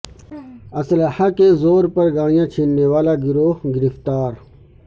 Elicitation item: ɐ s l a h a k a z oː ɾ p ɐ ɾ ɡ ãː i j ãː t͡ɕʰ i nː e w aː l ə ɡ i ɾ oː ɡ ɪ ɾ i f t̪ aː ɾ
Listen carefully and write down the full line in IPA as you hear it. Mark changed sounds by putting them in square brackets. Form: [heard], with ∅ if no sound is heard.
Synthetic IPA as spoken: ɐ s l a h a k [e] z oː ɾ p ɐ ɾ ɡ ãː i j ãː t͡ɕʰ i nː e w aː l [a] ɡ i ɾ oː ɡ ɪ ɾ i f t̪ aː ɾ